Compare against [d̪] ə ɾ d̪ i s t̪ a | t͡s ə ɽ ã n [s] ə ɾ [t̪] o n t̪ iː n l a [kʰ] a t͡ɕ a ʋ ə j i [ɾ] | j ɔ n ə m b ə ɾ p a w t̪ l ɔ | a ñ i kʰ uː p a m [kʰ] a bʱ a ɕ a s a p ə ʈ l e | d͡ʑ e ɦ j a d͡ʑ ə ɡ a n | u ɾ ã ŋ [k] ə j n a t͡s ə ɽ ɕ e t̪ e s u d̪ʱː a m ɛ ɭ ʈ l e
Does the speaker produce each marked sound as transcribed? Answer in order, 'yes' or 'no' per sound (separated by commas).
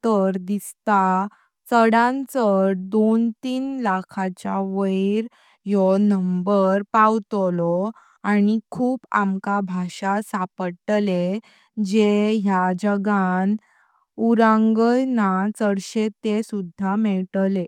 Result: no, no, no, yes, yes, no, no